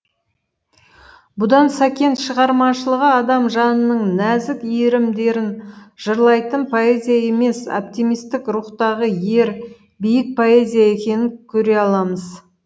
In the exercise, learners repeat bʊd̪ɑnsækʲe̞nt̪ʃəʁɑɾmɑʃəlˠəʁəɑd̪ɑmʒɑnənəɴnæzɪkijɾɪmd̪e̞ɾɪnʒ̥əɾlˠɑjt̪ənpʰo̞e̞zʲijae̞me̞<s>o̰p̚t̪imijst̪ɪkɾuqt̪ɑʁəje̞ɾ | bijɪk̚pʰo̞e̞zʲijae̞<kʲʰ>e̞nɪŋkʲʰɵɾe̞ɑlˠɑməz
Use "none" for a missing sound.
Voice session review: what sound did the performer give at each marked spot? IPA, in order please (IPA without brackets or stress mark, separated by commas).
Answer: s, kʲ